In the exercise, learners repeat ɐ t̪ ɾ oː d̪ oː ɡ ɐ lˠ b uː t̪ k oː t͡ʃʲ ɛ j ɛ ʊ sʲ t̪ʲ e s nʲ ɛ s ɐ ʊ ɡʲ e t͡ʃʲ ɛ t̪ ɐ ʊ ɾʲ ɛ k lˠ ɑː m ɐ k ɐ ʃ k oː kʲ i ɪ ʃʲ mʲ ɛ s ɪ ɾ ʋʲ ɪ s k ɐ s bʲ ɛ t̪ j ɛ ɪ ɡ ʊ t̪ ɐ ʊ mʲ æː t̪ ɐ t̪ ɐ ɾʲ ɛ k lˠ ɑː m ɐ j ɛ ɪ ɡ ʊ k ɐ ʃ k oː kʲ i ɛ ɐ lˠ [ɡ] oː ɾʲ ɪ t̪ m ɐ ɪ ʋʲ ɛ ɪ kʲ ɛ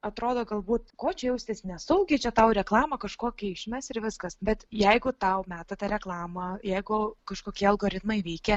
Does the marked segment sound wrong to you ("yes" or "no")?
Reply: no